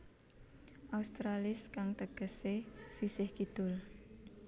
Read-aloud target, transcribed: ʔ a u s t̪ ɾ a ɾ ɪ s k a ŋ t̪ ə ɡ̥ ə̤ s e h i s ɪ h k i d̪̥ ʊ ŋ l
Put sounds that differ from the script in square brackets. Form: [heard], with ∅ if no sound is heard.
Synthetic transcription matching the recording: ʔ a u s t̪ ɾ a [l] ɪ s k a ŋ t̪ ə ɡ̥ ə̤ s e [s] i s ɪ h k i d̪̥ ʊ [∅] l